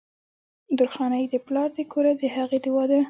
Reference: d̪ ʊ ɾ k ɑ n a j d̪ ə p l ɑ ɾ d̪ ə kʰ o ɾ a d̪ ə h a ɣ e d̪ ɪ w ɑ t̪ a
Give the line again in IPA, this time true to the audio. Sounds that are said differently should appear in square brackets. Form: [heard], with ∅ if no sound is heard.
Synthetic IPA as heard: d̪ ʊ ɾ [x] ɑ n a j d̪ ə p l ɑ ɾ d̪ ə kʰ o ɾ a d̪ ə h a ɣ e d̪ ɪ w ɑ [d̪] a